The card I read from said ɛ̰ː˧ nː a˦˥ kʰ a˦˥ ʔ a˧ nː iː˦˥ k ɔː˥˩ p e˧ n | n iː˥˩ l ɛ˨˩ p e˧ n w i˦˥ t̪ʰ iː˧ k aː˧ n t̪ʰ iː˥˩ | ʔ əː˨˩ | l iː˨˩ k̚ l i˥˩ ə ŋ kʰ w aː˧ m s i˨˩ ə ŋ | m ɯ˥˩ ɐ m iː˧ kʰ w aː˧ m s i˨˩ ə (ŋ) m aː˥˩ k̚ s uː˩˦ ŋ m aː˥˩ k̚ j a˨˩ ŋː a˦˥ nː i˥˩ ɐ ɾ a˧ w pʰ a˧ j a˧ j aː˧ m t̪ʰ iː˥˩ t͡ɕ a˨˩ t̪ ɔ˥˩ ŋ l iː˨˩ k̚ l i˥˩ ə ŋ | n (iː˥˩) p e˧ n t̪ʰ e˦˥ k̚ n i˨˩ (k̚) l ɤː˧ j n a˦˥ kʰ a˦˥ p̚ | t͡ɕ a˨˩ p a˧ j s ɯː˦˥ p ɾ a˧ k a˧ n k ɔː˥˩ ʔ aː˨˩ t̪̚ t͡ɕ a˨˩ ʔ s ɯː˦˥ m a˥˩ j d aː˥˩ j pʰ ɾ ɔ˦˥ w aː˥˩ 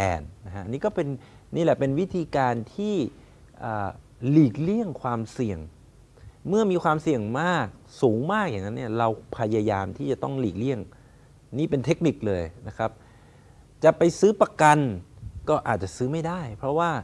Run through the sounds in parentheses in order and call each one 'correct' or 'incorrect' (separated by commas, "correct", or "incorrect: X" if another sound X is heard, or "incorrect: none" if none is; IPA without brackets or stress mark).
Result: correct, correct, correct